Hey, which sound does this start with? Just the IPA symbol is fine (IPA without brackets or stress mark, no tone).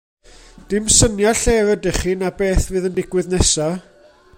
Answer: d̥